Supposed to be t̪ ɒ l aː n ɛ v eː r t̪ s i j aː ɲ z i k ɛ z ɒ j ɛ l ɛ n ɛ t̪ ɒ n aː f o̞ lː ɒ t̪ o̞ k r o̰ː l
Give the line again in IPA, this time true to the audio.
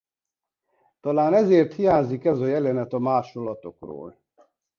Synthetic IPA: t̪ ɒ l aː n ɛ z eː r t̪ h i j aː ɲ z i k ɛ z ɒ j ɛ l ɛ n ɛ t̪ ɒ m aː ʃ o̞ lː ɒ t̪ o̞ k r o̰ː l

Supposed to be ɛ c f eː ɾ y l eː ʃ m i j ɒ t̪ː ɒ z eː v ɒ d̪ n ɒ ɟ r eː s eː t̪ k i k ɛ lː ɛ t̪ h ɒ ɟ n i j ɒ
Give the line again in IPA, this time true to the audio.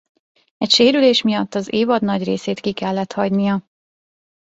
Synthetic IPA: ɛ c ʃ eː ɾ y l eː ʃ m i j ɒ t̪ː ɒ z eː v ɒ d̪ n ɒ ɟ r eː s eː t̪ k i k ɛ lː ɛ t̪ h ɒ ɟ n i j ɒ

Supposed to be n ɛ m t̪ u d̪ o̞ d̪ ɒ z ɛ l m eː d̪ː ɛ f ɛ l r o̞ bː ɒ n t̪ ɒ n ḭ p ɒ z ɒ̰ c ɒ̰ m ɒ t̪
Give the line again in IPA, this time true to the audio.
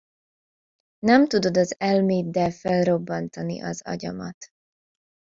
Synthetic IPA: n ɛ m t̪ u d̪ o̞ d̪ ɒ z ɛ l m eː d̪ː ɛ f ɛ l r o̞ bː ɒ n t̪ ɒ n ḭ ʔ ɒ z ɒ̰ ɟ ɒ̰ m ɒ t̪

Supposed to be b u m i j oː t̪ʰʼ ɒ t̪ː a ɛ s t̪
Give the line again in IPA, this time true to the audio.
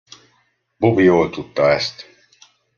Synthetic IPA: b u b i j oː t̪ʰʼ u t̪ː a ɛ s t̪

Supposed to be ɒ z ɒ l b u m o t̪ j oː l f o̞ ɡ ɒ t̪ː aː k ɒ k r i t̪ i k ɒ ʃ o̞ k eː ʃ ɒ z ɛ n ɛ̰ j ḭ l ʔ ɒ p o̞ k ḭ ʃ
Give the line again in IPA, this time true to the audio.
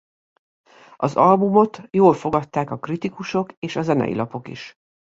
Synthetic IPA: ɒ z ɒ l b u m o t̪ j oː l f o̞ ɡ ɒ t̪ː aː k ɒ k r i t̪ i k u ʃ o̞ k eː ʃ ɒ z ɛ n ɛ̰ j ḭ l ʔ ɒ p o̞ k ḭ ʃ

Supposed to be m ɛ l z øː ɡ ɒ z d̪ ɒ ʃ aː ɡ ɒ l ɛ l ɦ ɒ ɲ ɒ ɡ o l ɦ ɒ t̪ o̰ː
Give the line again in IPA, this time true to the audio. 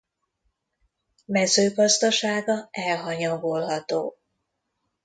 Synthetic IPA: m ɛ z øː ɡ ɒ z d̪ ɒ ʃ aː ɡ ɒ ɛ l ɦ ɒ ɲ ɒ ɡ o l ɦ ɒ t̪ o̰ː

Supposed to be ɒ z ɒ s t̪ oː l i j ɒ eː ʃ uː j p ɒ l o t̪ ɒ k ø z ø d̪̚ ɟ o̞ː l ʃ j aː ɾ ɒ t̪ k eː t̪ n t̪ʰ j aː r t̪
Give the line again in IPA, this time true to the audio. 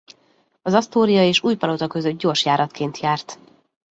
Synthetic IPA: ɒ z ɒ s t̪ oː ɾ i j ɒ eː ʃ uː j p ɒ l o t̪ ɒ k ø z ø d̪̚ ɟ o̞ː r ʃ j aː ɾ ɒ t̪ k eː n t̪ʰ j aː r t̪

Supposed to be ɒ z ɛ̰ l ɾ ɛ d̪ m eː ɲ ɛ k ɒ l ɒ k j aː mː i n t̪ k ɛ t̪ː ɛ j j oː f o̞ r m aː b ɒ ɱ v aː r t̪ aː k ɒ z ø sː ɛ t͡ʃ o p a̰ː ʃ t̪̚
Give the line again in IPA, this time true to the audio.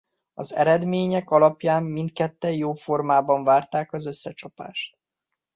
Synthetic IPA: ɒ z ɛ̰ ɾ ɛ d̪ m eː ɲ ɛ k ɒ l ɒ p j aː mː i n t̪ k ɛ t̪ː ɛ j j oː f o̞ r m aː b ɒ ɱ v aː r t̪ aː k ɒ z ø sː ɛ t͡ʃ ɒ p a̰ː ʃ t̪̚

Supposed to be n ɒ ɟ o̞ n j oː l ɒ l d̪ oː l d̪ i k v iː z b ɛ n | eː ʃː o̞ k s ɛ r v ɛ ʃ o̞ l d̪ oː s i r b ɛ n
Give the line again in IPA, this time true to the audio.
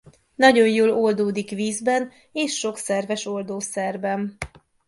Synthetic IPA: n ɒ ɟ o̞ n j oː l o l d̪ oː d̪ i k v iː z b ɛ n | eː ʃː o̞ k s ɛ r v ɛ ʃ o̞ l d̪ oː s ɛ r b ɛ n

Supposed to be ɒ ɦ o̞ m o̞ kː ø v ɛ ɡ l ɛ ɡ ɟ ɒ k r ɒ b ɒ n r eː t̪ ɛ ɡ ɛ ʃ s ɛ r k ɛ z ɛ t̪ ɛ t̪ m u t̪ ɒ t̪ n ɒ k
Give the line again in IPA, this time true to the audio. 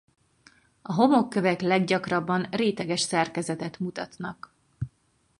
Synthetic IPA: ɒ ɦ o̞ m o̞ kː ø v ɛ k l ɛ ɡ ɟ ɒ k r ɒ bː ɒ n r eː t̪ ɛ ɡ ɛ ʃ s ɛ r k ɛ z ɛ t̪ ɛ t̪ m u t̪ ɒ t̪ n ɒ k

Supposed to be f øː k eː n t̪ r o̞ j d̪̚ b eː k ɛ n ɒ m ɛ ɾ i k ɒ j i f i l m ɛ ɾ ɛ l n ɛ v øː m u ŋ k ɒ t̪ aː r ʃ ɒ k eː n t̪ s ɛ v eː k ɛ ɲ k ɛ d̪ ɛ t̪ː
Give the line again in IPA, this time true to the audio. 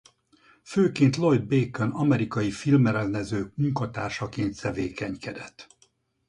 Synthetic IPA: f øː k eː n t̪ l o̞ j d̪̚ b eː k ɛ n ɒ m ɛ ɾ i k ɒ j i f i l m ɛ ɾ ɛ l n ɛ z øː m u ŋ k ɒ t̪ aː r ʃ ɒ k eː n t̪ s ɛ v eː k ɛ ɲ k ɛ d̪ ɛ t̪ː

